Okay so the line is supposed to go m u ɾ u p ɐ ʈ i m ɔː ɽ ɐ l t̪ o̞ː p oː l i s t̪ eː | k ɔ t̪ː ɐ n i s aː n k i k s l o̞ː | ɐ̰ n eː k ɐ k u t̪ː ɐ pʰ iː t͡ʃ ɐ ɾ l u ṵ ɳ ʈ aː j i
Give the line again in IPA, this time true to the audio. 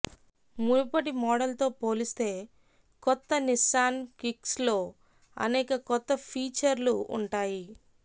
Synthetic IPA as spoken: m u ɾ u p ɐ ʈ i m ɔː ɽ ɐ l t̪ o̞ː p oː l i s t̪ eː | k ɔ t̪ː ɐ n i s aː n k i k s l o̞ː | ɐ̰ n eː k ɐ k ɔ t̪ː ɐ pʰ iː t͡ʃ ɐ ɾ l u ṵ ɳ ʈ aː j i